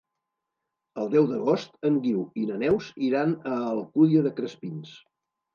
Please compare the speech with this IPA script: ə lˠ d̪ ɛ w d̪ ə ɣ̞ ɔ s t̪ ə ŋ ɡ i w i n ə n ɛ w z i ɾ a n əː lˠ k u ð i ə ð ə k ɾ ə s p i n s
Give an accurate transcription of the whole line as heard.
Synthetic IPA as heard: ə lˠ d̪ ɛ w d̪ ə ɣ̞ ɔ s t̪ ə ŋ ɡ i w i n ə n ɛ w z i ɾ a n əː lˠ k u ð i ə ð ə k ɾ ə s p i n s